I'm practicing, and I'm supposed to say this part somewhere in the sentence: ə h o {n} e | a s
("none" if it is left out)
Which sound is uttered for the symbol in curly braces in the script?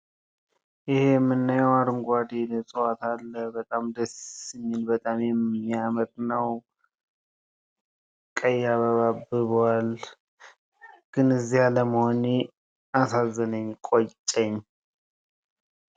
n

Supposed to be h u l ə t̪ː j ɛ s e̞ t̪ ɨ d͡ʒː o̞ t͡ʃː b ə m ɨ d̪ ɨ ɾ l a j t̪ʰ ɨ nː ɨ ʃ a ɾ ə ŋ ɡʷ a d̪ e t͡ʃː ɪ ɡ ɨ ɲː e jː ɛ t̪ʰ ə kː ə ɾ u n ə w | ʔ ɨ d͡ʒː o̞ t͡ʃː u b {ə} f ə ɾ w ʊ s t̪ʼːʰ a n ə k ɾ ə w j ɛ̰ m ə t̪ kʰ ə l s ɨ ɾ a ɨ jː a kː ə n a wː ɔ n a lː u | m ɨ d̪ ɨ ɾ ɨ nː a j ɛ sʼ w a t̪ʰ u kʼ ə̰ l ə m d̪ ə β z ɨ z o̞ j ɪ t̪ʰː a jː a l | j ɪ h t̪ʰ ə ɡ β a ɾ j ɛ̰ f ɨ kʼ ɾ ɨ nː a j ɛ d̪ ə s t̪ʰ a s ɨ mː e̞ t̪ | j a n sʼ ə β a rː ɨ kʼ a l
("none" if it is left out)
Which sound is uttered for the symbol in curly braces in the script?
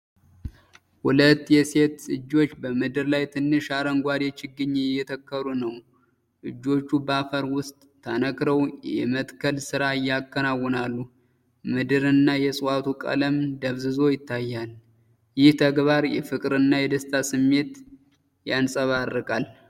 a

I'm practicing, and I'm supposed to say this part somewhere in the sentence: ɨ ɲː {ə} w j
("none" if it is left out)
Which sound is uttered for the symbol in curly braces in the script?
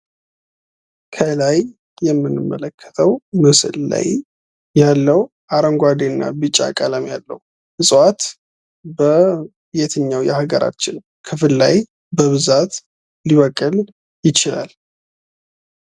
a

